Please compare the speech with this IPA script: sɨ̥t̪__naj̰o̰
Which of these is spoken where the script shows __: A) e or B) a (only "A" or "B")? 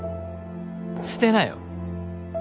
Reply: A